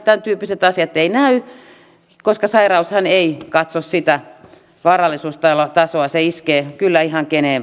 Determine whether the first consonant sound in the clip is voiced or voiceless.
voiceless